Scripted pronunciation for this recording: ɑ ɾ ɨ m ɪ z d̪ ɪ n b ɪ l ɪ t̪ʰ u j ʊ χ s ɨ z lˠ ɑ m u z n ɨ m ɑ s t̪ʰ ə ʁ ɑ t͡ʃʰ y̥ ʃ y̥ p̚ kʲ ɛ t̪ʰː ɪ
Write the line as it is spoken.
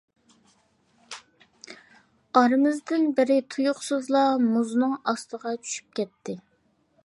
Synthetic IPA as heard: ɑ ɾ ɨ m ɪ z d̪ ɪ n b ɪ ɾ ɪ t̪ʰ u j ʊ χ s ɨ z lˠ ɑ m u z n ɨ ŋ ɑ s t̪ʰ ə ʁ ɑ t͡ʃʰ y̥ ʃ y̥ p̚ kʲ ɛ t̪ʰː ɪ